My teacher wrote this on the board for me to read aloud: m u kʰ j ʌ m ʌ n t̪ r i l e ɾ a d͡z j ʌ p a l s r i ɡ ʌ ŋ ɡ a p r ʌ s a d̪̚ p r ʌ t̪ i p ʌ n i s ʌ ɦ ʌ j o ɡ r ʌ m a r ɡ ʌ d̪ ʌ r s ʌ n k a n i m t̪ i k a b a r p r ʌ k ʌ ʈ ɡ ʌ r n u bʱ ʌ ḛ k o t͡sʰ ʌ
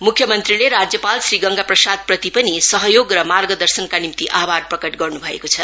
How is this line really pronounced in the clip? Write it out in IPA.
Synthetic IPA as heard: m u kʰ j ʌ m ʌ n t̪ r i l e ɾ a d͡z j ʌ p a l s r i ɡ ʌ ŋ ɡ a p r ʌ s a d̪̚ p r ʌ t̪ i p ʌ n i s ʌ ɦ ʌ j o ɡ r ʌ m a r ɡ ʌ d̪ ʌ r s ʌ n k a n i m t̪ i ʔ a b a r p r ʌ k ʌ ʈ ɡ ʌ r n u bʱ ʌ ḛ k o t͡sʰ ʌ